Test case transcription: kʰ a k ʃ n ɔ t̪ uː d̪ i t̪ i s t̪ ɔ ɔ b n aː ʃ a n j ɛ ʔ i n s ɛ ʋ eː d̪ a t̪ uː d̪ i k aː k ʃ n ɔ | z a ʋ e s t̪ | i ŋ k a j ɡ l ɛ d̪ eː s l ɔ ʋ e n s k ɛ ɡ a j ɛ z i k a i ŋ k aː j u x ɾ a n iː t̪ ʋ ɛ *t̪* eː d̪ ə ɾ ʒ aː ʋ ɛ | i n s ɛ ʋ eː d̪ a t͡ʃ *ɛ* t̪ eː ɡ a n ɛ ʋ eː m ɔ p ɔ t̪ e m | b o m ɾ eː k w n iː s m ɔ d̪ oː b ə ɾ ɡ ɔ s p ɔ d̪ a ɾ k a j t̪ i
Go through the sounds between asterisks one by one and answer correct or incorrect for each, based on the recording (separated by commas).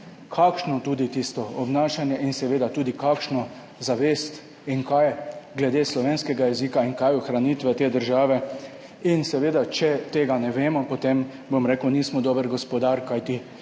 correct, correct